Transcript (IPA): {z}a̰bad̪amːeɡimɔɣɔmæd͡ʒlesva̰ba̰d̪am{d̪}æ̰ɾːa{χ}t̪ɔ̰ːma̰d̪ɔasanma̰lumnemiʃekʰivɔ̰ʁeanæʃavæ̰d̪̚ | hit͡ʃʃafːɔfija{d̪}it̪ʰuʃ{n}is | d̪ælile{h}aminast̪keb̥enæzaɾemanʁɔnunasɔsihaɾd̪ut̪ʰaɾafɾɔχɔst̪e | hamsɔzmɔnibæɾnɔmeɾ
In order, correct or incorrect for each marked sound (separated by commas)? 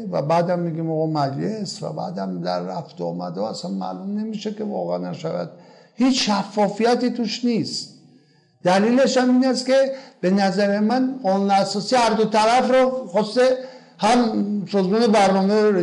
incorrect, correct, incorrect, incorrect, correct, incorrect